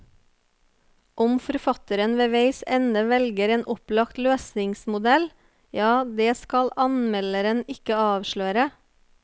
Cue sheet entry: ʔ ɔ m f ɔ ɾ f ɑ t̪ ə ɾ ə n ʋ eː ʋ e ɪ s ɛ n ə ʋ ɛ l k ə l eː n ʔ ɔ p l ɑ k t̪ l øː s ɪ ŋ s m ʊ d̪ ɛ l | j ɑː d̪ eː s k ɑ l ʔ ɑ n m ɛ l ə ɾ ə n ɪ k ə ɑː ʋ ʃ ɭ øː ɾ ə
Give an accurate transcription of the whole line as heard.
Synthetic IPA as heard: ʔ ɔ m f ɔ ɾ f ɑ t̪ ə ɾ ə n ʋ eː ʋ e ɪ s ɛ n ə ʋ ɛ l ɡ ə ɾ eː n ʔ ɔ p l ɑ k t̪ l øː s ɪ ŋ s m ʊ d̪ ɛ l | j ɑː d̪ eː s k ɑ l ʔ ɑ n m ɛ l ə ɾ ə n ɪ k ə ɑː ʋ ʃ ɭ øː ɾ ə